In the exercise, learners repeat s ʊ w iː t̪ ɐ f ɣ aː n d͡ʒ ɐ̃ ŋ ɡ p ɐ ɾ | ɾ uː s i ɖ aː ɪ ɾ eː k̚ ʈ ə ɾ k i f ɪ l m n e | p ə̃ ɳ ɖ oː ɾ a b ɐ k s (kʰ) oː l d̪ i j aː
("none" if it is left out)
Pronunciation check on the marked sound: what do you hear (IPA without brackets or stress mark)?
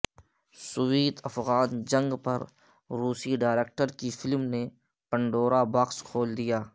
kʰ